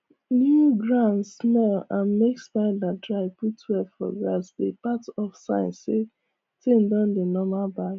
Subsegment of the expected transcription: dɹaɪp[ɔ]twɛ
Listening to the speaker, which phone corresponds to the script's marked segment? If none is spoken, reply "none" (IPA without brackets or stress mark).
u